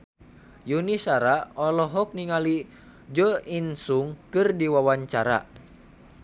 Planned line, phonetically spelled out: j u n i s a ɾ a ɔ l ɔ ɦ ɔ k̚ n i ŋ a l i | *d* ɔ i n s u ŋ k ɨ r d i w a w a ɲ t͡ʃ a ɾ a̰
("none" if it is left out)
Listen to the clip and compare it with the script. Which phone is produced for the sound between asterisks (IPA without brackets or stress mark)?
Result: d͡ʒ